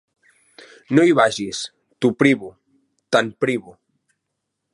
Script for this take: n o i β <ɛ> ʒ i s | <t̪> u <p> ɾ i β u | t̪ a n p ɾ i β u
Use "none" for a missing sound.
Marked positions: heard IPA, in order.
a, t̪, p

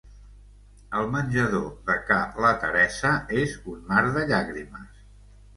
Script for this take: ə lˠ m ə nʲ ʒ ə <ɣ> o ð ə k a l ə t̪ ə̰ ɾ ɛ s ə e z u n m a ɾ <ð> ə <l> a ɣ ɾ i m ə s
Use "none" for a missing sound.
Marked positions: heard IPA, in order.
ð, ð, ʎ

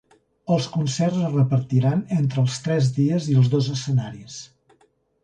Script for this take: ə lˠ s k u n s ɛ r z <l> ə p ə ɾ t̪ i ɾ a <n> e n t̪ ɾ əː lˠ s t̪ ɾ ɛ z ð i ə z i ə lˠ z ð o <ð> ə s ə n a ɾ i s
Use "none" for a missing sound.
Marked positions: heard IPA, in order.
r, n, z

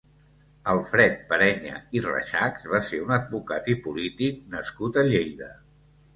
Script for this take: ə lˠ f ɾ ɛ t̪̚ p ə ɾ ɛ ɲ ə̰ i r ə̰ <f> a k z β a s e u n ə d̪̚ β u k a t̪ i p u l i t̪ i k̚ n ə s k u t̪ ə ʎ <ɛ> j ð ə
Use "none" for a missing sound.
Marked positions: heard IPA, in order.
ʃ, e

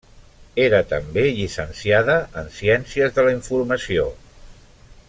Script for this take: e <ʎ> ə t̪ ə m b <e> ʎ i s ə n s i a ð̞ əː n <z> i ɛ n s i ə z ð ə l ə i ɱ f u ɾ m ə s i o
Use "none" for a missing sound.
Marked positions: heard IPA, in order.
ɾ, e, s

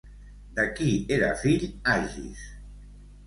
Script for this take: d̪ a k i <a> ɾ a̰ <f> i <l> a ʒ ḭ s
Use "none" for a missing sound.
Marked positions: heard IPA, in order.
e, f, ʎ

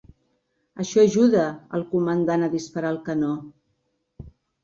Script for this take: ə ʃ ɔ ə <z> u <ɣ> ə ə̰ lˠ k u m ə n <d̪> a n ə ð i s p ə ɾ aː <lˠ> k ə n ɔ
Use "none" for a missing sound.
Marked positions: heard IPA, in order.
ʒ, ð, d̪, lˠ

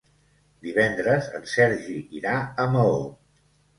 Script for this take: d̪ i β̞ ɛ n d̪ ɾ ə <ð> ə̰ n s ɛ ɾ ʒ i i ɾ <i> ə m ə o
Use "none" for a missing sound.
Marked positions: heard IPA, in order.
z, a

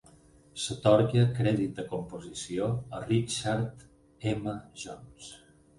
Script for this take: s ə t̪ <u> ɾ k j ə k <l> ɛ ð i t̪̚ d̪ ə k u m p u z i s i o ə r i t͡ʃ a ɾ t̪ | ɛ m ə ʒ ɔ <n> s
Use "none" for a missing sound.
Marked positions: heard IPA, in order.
ɔ, ɾ, n

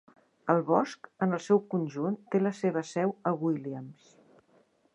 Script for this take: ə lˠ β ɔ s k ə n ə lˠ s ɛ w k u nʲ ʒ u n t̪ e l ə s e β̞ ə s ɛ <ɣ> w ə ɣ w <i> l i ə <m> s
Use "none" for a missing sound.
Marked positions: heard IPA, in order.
none, i, m

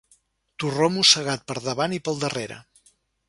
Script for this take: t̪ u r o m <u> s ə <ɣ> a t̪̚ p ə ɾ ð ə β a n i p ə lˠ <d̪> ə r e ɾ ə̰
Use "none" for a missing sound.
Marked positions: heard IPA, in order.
u, ɣ, d̪

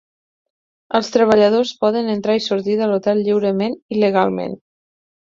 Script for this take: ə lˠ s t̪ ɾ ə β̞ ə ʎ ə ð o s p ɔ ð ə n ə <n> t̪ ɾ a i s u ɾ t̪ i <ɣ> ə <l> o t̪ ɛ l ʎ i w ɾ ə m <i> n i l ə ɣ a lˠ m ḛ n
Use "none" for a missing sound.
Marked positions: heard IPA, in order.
n, ð, l, e

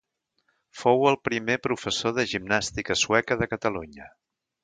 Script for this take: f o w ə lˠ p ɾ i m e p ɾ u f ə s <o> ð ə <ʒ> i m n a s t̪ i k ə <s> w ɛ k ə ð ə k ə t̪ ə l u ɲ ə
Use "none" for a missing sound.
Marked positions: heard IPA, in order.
o, ʒ, s

